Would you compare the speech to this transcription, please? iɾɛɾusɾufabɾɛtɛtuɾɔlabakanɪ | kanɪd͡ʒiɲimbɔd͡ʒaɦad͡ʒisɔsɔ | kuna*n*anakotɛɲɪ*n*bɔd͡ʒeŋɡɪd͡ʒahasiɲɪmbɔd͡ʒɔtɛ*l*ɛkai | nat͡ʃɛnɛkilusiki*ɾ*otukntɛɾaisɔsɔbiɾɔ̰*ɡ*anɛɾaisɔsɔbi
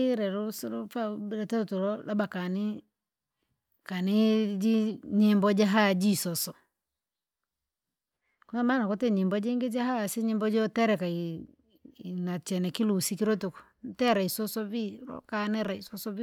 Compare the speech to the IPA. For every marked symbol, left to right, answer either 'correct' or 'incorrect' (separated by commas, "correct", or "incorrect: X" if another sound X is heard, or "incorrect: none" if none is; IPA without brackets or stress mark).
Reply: incorrect: m, incorrect: m, incorrect: ɾ, correct, incorrect: k